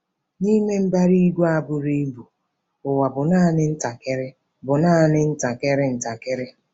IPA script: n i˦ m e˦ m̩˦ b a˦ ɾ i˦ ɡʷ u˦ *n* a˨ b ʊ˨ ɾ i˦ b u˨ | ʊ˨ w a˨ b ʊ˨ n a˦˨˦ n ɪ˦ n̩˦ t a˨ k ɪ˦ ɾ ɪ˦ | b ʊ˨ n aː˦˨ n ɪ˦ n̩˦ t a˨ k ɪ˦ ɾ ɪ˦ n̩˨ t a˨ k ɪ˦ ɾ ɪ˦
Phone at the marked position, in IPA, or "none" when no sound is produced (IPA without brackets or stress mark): none